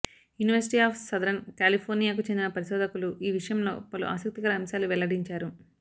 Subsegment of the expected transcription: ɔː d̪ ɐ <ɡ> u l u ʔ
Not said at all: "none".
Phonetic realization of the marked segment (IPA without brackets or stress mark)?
k